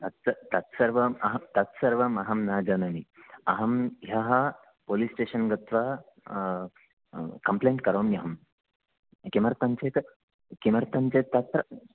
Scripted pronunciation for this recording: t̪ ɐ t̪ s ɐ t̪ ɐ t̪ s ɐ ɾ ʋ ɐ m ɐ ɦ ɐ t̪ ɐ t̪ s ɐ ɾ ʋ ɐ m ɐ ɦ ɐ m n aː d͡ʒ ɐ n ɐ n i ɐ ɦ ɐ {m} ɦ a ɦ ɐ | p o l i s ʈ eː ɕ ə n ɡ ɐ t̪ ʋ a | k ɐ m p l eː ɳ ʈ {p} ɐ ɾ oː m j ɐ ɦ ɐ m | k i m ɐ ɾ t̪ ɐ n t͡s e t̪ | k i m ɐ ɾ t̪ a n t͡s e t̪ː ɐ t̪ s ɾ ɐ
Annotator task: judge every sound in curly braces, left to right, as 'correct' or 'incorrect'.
correct, incorrect: k

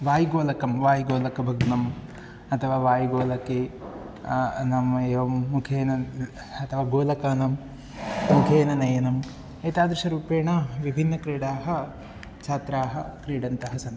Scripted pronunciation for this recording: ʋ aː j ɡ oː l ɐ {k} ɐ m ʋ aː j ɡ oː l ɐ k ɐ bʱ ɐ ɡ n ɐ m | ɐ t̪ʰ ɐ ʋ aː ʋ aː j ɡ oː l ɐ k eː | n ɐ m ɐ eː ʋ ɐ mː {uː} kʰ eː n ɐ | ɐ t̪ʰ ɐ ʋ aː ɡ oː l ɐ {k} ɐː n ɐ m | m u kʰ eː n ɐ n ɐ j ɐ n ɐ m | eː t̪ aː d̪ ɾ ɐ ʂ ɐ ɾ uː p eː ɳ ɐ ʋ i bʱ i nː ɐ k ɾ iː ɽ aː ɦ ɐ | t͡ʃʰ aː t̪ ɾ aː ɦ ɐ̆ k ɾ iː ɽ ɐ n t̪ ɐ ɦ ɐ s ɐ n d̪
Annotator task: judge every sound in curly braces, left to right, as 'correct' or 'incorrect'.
correct, incorrect: u, correct

